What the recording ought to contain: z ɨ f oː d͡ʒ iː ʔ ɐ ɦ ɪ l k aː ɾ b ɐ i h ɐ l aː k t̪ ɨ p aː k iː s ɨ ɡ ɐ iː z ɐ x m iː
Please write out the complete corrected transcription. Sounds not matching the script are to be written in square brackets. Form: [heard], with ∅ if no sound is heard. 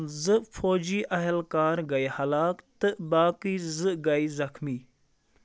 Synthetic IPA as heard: z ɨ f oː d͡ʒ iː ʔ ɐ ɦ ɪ l k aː ɾ [ɡ] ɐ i h ɐ l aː k t̪ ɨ [b] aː k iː [z] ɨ ɡ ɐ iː z ɐ x m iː